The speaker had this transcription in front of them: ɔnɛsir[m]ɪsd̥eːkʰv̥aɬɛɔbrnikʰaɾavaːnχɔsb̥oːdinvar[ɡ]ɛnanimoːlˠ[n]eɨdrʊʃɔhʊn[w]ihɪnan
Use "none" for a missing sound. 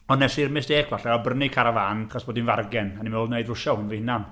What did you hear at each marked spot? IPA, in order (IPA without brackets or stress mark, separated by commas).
m, ɡ, n, v